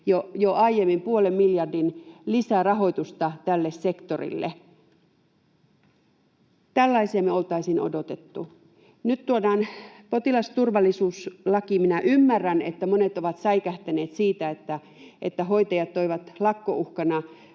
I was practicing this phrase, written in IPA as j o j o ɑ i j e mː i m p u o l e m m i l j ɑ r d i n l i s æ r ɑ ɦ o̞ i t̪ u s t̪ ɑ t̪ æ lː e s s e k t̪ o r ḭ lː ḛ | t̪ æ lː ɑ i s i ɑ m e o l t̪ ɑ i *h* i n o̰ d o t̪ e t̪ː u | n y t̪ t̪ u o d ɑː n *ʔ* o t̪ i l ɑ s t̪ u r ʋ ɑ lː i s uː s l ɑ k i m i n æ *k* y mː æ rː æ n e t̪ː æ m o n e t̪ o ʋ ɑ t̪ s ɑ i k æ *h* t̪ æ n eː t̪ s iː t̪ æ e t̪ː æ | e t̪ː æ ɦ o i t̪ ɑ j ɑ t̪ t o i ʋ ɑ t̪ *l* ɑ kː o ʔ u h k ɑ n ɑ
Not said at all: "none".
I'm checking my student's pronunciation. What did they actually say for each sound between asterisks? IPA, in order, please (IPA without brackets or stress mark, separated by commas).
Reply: s, p, ʔ, h, l